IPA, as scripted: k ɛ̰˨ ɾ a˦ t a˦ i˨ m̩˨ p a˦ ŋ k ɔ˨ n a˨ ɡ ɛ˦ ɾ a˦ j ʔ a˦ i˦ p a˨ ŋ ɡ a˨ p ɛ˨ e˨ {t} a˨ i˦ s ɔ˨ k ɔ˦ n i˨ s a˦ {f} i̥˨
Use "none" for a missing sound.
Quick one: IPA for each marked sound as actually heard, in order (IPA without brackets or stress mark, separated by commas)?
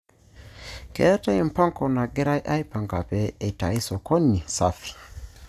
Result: t, f